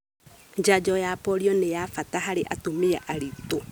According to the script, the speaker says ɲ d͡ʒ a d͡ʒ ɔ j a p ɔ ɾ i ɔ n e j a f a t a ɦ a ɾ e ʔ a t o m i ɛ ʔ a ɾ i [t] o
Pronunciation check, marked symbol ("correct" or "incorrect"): correct